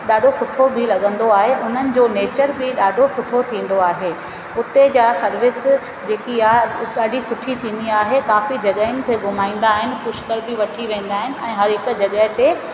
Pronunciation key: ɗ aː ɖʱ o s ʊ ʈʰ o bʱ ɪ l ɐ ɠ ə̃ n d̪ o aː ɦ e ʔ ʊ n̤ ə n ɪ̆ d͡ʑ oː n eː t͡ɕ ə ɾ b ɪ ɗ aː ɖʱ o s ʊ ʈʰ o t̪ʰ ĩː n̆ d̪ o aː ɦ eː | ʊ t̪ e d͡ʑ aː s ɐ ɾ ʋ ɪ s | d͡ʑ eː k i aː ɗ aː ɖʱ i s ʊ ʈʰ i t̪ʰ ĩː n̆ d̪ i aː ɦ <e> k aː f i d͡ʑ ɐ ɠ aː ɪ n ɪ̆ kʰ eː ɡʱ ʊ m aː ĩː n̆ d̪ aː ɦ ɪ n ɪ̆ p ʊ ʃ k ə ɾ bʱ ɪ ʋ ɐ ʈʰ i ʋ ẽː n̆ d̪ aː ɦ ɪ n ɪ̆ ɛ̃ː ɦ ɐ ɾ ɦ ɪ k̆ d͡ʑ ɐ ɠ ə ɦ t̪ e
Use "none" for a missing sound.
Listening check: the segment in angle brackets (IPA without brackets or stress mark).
e